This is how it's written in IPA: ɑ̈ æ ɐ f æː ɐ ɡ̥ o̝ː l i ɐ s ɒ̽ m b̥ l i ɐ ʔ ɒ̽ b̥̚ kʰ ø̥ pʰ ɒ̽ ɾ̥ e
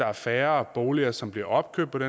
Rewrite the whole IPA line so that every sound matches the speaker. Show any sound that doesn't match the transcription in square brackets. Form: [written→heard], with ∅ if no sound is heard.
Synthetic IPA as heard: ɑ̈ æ ɐ f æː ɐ [ɡ̥→b̥] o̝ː l i ɐ s ɒ̽ m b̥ l i ɐ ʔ ɒ̽ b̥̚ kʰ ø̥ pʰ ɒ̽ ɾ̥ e